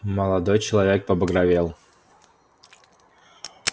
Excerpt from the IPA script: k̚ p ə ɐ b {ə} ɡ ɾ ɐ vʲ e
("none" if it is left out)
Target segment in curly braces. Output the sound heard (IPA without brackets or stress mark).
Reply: ə